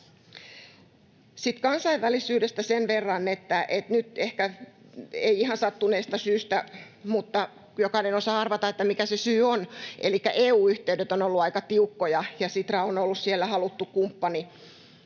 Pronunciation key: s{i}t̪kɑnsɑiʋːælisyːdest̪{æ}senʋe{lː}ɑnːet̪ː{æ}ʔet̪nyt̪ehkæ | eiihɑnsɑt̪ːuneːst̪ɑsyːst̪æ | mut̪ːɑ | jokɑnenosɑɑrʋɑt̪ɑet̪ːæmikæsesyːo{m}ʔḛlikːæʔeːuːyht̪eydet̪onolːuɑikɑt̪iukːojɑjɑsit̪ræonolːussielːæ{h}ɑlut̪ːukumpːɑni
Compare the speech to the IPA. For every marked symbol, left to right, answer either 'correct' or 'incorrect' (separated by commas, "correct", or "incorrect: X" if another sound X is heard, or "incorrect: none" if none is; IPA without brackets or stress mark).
correct, correct, incorrect: rː, correct, incorrect: n, correct